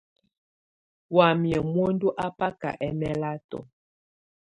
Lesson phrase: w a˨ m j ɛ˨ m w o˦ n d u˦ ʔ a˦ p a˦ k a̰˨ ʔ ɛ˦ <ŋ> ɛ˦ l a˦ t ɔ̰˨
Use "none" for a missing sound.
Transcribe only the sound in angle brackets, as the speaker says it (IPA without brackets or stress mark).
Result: m